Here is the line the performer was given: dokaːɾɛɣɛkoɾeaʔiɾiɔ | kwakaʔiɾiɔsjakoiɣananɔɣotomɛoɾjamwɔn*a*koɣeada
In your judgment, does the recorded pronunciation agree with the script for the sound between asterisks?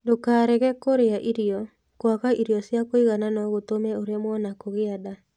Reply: yes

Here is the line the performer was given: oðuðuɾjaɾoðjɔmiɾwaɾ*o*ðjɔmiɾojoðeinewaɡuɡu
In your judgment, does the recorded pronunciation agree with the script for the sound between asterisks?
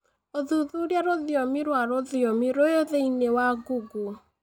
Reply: yes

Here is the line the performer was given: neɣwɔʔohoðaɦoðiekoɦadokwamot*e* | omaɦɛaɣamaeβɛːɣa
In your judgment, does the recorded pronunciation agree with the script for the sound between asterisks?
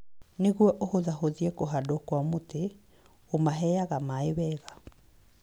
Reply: yes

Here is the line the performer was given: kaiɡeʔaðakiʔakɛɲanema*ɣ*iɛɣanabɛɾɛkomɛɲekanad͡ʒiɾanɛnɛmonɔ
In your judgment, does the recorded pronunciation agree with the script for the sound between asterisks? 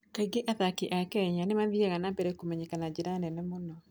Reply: no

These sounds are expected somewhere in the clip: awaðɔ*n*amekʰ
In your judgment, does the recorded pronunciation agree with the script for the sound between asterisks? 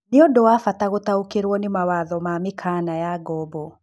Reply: no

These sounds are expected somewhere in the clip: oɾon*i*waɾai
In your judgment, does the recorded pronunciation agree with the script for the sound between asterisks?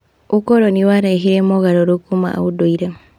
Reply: yes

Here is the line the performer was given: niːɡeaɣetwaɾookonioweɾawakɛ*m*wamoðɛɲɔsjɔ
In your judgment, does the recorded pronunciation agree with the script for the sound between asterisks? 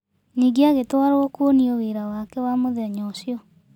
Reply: no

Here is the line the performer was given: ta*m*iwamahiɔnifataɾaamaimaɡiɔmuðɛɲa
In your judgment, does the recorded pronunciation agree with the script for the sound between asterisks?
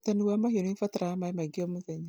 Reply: no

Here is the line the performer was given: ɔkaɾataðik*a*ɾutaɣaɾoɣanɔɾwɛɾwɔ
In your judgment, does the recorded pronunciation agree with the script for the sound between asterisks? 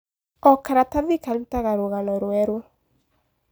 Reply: yes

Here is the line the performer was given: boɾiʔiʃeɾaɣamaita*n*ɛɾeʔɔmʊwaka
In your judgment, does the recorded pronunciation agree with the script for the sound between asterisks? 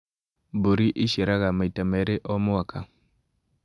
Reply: no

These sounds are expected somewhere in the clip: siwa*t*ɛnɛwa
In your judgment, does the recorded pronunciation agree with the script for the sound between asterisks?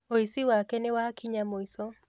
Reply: no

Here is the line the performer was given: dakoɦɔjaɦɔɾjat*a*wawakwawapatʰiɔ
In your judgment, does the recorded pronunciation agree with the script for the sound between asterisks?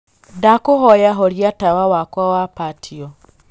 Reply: yes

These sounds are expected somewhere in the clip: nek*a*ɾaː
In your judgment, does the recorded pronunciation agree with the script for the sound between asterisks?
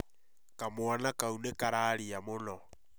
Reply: yes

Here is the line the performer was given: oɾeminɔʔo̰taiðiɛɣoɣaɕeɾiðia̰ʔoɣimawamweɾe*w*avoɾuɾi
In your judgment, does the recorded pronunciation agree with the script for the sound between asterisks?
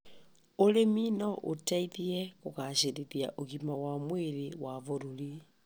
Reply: yes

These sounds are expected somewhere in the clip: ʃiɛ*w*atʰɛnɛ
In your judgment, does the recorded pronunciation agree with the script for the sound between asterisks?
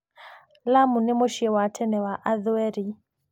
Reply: yes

